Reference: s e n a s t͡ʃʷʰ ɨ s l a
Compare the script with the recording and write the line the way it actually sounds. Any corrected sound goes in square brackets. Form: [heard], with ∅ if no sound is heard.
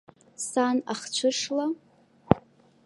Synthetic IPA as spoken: s [a] n a [χ] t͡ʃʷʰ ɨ [ʂ] l a